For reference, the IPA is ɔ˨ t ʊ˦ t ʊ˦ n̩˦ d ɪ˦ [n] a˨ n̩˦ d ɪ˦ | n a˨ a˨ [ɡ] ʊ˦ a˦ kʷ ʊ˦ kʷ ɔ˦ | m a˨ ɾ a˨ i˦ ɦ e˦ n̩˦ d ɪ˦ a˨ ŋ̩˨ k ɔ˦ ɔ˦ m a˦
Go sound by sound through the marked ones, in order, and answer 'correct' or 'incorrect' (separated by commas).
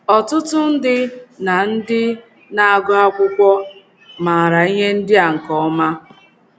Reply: correct, correct